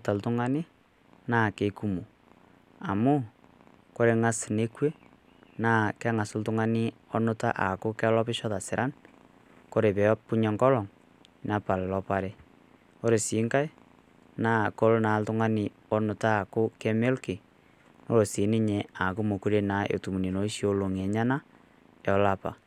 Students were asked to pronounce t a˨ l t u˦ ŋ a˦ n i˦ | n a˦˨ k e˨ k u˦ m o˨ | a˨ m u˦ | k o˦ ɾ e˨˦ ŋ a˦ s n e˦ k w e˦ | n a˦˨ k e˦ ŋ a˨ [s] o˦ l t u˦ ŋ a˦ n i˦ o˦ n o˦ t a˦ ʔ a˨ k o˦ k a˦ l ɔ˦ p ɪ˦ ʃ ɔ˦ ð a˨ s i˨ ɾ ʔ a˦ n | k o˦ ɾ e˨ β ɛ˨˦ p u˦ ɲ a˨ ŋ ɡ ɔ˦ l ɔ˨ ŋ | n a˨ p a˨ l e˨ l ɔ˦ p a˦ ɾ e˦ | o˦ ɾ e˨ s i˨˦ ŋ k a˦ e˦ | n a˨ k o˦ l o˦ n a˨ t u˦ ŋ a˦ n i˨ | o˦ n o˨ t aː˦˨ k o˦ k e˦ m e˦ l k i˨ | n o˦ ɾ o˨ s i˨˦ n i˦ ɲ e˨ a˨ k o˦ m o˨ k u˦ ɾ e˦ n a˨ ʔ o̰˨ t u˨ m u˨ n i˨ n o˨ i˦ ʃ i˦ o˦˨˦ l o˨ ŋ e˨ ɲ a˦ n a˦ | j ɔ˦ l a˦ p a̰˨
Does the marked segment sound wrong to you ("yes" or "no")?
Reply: no